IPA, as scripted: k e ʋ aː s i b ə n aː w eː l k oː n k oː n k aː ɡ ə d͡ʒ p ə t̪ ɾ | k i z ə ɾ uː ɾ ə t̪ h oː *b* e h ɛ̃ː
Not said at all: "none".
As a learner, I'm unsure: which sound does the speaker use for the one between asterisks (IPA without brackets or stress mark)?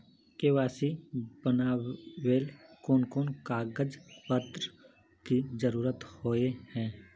none